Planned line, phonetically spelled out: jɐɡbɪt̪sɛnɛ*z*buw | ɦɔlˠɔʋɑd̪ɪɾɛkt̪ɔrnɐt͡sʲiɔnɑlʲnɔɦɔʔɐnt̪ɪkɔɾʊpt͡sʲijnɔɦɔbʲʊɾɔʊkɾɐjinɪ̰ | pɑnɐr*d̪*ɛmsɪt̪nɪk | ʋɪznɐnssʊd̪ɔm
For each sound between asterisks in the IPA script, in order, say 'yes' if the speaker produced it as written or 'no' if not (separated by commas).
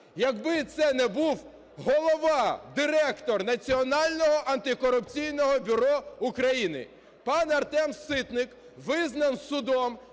no, no